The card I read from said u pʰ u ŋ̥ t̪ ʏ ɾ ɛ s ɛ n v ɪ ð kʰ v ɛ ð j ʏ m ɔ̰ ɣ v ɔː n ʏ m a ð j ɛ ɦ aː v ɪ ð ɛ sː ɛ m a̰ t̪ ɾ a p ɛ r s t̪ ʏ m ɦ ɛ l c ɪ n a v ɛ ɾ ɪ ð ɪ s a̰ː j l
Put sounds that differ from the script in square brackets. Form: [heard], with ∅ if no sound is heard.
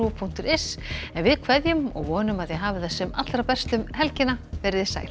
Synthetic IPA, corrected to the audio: u pʰ u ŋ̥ t̪ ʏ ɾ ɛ s ɛ n v ɪ ð kʰ v ɛ ð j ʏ m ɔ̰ ɣ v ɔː n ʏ m a ð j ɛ ɦ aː v ɪ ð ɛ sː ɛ m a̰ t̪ ɾ a p ɛ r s t̪ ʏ m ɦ ɛ l c ɪ n a v ɛ ɾ ɪ ð ɪ s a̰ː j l